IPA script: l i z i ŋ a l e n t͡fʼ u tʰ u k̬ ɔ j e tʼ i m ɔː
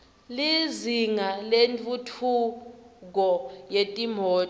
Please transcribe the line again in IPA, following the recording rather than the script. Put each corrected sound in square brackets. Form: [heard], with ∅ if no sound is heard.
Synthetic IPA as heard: l i z i ŋ a l e n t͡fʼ u tʰ u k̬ ɔ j e tʼ i m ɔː